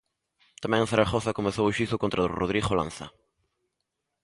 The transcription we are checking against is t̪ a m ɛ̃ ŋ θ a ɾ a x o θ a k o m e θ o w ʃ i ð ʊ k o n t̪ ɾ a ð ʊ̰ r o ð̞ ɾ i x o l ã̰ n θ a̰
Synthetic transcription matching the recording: t̪ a m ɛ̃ ŋ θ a ɾ a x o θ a k o m e θ o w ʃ i θ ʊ k o n t̪ ɾ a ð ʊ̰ r o ð̞ ɾ i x o l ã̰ n θ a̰